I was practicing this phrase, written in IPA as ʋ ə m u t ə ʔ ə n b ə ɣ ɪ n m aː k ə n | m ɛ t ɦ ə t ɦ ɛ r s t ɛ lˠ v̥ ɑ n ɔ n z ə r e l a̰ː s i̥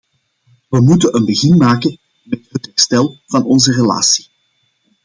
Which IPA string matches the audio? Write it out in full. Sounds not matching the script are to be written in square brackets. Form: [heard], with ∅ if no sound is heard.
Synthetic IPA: ʋ ə m u t ə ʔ ə n b ə ɣ ɪ n m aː k ə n | m ɛ t ɦ ə t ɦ ɛ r s t ɛ lˠ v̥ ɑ n ɔ n z ə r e l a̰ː s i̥

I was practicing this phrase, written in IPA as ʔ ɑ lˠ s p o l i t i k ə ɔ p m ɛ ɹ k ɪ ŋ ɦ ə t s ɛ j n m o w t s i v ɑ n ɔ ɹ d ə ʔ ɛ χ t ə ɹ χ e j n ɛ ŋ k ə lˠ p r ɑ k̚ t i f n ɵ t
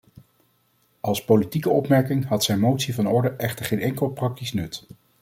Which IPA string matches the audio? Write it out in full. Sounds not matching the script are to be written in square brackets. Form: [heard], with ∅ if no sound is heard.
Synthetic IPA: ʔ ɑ lˠ s p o l i t i k ə ɔ p m ɛ ɹ k ɪ ŋ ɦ [ɑ] t s ɛ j n m o w t s i v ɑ n ɔ ɹ d ə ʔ ɛ χ t ə ɹ χ e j n ɛ ŋ k ə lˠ p r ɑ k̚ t i [s] n ɵ t

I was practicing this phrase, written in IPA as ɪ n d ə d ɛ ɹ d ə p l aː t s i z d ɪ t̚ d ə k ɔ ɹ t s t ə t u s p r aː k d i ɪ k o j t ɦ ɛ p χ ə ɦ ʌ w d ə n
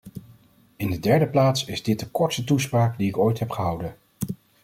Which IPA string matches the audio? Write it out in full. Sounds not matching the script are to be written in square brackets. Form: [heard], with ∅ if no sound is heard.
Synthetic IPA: ɪ n d ə d ɛ ɹ d ə p l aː t s [ɪ] z d ɪ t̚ d ə k ɔ ɹ t s t ə t u s p r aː k d i ɪ k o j t ɦ ɛ p χ ə ɦ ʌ w d ə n

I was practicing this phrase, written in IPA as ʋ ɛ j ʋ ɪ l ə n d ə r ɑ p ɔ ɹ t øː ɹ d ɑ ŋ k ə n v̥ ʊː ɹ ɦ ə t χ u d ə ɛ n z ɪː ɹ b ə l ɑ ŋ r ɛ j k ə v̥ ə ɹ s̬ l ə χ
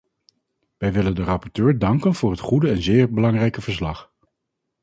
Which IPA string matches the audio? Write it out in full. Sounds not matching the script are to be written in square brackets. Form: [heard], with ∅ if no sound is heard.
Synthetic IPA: ʋ ɛ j ʋ ɪ l ə n d ə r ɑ p ɔ ɹ t øː ɹ d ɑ ŋ k ə n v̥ ʊː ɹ ɦ ə t χ u d ə ɛ n z ɪː ɹ b ə l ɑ ŋ r ɛ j k ə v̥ ə ɹ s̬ l [ɑ] χ

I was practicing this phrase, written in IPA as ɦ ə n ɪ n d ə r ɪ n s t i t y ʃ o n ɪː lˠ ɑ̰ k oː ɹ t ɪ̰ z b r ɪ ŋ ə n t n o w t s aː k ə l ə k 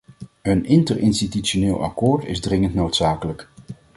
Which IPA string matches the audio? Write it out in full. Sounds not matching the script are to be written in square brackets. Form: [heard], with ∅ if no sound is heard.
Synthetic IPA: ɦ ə n ɪ n [t] ə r ɪ n s t i t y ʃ o n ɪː lˠ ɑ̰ k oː ɹ t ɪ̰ z [d] r ɪ ŋ ə n t n o w t s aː k ə l ə k

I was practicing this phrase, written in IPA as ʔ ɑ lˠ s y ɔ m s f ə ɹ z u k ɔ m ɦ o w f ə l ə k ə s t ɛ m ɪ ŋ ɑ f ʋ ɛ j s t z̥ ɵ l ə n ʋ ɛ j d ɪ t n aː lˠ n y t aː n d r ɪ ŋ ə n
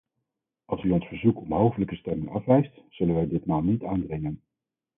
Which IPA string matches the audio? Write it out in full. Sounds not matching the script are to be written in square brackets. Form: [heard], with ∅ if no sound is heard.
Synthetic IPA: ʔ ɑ lˠ s y ɔ [n] s f ə ɹ z u k ɔ m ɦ o w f ə l ə k ə s t ɛ m ɪ ŋ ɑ f ʋ ɛ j s t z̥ ɵ l ə n ʋ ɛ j d ɪ t [m] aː lˠ n [i] t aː n d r ɪ ŋ ə n

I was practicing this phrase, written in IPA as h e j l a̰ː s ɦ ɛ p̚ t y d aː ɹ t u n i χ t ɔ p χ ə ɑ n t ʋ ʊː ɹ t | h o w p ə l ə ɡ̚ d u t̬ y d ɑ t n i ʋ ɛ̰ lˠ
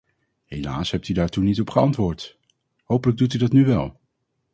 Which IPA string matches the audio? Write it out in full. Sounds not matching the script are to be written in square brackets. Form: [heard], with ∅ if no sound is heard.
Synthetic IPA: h e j l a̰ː s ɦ ɛ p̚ t y d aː ɹ t u n i [∅] t ɔ p χ ə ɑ n t ʋ ʊː ɹ t | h o w p ə l ə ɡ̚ d u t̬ y d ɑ t n [y] ʋ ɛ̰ lˠ

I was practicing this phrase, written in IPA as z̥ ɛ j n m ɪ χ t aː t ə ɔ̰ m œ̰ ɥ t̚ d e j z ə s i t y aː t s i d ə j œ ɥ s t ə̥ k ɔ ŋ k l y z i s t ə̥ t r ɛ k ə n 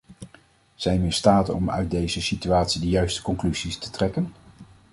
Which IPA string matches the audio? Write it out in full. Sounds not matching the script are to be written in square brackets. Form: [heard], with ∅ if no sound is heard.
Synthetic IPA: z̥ ɛ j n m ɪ [s] t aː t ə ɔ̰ m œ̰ ɥ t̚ d e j z ə s i t y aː t s i d ə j œ ɥ s t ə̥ k ɔ ŋ k l y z i s t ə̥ t r ɛ k ə n

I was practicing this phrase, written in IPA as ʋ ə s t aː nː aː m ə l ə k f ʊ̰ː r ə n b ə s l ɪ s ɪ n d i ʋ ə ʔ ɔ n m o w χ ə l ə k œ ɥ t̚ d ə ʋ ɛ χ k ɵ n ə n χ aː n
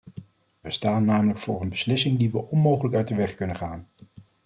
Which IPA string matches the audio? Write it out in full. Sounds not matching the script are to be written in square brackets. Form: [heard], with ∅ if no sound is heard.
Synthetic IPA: ʋ ə s t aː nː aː m ə l ə k f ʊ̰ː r ə n b ə s l ɪ s ɪ [ŋ] d i ʋ ə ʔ ɔ n m o w χ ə l ə k œ ɥ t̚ d ə ʋ ɛ χ k ɵ n ə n χ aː n

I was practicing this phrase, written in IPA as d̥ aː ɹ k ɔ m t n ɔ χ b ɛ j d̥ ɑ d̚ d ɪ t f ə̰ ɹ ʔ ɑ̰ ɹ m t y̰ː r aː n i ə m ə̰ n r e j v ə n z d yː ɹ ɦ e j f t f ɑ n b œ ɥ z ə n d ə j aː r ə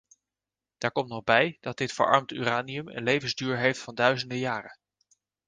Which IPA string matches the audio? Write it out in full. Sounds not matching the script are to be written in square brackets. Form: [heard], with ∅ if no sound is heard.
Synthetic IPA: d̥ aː ɹ k ɔ m t n ɔ χ b ɛ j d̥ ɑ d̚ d ɪ t f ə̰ ɹ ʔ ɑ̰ ɹ m t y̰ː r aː n i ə m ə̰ n [l] e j v ə n z d yː ɹ ɦ e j f t f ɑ n [d] œ ɥ z ə n d ə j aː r ə

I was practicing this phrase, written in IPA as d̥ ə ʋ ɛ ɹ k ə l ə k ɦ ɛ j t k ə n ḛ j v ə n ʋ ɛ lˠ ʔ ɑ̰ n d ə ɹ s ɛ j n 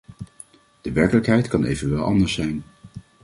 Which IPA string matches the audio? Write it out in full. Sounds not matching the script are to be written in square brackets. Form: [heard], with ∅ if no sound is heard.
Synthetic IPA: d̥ ə ʋ ɛ ɹ k ə l ə k ɦ ɛ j t k [ɑ] n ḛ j v ə n ʋ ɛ lˠ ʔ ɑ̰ n d ə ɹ s ɛ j n

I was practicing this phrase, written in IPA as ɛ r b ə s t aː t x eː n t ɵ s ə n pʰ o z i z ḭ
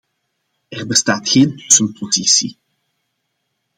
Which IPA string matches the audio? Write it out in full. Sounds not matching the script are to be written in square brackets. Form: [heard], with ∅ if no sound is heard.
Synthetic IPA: ɛ r b ə s t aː t x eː n t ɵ s ə n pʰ o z i [s] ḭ

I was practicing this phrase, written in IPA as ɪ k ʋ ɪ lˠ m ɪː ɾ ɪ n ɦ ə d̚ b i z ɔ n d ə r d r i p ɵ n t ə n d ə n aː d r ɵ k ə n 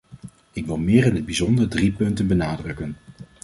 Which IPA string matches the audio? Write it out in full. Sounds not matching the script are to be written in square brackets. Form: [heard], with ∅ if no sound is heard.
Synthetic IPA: ɪ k ʋ ɪ lˠ m ɪː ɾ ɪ n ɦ ə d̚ b i z ɔ n d ə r d r i p ɵ n t ə n [b] ə n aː d r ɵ k ə n

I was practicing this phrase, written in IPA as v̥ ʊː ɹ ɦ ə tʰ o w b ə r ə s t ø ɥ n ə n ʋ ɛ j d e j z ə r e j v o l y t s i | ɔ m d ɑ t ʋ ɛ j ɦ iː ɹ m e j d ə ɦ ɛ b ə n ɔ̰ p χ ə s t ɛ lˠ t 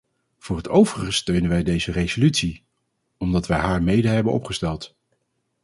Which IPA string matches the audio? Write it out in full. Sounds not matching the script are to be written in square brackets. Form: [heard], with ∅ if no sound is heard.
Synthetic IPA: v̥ ʊː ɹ ɦ ə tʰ o w [v] ə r ə s t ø ɥ n ə n ʋ ɛ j d e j z ə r e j [z] o l y t s i | ɔ m d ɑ t ʋ ɛ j ɦ [aː] ɹ m e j d ə ɦ ɛ b ə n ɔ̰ p χ ə s t ɛ lˠ t

